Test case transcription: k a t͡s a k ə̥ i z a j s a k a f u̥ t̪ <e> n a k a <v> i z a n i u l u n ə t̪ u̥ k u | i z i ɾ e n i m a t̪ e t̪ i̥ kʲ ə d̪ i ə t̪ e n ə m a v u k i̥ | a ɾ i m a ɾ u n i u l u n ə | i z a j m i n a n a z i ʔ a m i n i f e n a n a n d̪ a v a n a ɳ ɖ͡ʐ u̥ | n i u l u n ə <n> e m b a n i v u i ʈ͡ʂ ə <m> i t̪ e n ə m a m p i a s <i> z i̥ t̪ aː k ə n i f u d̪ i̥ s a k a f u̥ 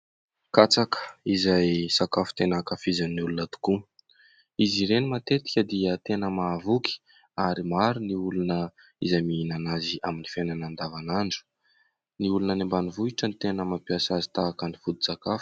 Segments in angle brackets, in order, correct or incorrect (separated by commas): correct, incorrect, correct, incorrect, incorrect